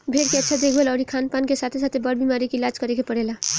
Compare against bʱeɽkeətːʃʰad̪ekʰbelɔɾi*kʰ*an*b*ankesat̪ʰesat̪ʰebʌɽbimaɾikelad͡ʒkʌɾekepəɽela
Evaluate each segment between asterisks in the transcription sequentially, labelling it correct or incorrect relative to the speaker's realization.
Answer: correct, incorrect: p

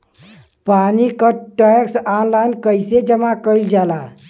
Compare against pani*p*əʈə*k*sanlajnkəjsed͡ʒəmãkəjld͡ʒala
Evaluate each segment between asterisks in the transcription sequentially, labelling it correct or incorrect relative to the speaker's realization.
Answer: incorrect: k, correct

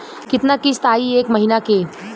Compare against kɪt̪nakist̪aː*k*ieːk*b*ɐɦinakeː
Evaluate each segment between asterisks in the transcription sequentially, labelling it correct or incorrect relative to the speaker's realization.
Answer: incorrect: none, incorrect: m

